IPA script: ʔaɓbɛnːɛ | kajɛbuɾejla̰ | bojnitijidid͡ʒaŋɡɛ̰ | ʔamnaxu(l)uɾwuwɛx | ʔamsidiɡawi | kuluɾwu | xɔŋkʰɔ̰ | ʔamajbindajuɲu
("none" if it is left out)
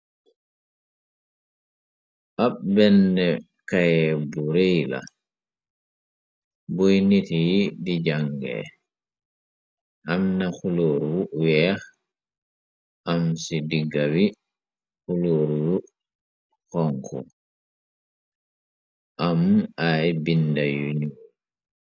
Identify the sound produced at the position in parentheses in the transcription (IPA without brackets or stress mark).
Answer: l